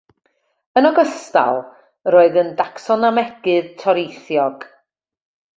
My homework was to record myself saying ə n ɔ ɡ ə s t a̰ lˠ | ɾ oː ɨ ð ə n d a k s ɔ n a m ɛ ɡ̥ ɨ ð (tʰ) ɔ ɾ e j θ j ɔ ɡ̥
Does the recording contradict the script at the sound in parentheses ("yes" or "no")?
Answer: no